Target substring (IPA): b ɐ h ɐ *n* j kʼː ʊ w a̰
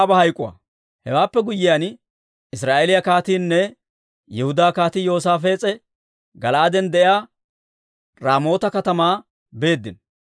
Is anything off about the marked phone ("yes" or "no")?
yes